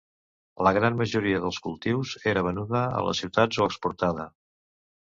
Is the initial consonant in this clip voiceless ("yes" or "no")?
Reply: no